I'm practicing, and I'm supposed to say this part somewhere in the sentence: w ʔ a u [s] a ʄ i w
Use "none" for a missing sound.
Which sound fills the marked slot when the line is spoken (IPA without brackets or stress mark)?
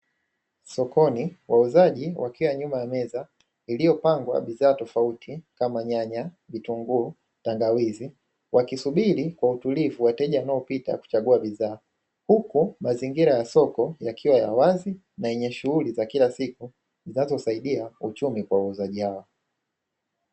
z